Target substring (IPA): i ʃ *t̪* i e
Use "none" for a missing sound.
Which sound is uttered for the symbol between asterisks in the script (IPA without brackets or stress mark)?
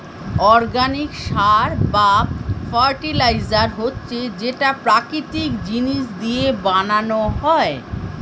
d̪